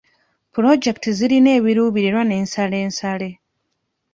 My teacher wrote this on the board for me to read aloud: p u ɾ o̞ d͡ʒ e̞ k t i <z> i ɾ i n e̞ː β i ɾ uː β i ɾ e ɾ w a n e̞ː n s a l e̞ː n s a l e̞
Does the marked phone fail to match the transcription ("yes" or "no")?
no